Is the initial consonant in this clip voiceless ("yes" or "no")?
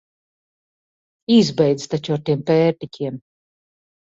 no